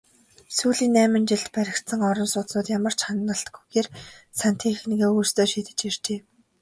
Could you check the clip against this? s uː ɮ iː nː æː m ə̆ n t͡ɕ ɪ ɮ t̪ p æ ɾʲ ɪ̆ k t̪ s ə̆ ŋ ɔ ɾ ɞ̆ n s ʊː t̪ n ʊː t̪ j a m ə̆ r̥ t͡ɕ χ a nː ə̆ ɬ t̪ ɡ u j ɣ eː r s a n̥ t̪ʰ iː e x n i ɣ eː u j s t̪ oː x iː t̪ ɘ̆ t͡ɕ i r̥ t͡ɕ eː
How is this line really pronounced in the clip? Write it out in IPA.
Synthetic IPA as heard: s uː ɮ iː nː æː m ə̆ n t͡ɕ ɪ ɮ t̪ p æ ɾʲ ɪ̆ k t̪ s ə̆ ŋ ɔ ɾ ɞ̆ n s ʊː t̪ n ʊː t̪ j a m ə̆ r̥ t͡ɕ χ a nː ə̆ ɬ t̪ ɡ u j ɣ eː r s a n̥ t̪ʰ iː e x n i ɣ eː u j s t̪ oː ʃ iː t̪ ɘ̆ t͡ɕ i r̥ t͡ɕ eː